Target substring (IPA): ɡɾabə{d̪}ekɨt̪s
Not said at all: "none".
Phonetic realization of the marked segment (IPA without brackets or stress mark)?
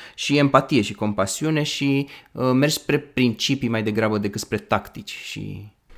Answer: d̪